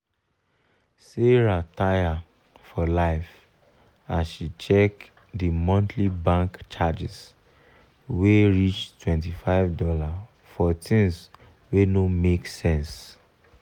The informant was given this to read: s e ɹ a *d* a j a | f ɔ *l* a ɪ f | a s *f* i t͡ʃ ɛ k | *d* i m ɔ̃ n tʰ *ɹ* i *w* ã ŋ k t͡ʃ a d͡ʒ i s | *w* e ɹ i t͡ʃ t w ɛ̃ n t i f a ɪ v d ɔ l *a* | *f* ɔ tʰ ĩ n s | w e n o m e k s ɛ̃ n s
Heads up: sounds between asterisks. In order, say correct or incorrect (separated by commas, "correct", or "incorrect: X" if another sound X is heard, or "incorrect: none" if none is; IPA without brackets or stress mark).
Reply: incorrect: t, correct, incorrect: ʃ, correct, incorrect: l, incorrect: b, correct, correct, correct